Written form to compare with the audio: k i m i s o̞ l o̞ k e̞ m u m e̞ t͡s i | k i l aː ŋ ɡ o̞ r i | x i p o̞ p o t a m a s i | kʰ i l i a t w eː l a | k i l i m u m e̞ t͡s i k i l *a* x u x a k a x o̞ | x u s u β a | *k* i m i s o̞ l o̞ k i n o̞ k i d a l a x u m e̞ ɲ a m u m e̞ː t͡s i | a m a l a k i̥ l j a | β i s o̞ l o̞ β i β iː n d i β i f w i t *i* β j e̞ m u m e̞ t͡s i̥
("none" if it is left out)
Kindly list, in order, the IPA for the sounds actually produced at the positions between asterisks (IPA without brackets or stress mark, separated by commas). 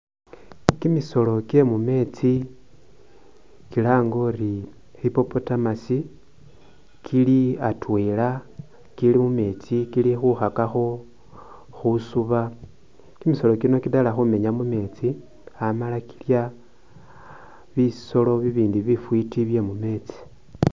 i, k, i